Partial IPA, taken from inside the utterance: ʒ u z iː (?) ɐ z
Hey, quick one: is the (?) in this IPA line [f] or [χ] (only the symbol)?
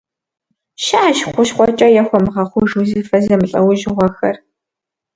f